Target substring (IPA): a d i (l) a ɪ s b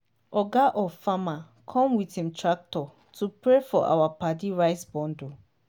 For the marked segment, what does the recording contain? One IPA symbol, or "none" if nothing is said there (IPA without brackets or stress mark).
ɹ